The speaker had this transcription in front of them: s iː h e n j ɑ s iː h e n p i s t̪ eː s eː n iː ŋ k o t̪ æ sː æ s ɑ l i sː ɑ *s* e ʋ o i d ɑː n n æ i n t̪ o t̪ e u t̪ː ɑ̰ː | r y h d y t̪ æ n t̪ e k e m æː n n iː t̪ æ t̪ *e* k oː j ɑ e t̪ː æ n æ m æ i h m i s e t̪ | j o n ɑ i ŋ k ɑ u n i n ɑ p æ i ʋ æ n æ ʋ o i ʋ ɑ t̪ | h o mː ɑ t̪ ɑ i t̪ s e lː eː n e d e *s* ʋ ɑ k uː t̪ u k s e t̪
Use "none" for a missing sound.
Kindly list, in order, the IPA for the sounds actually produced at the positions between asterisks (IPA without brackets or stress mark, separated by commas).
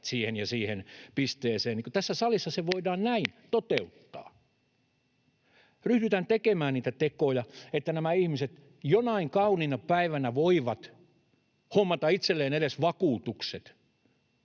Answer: s, e, s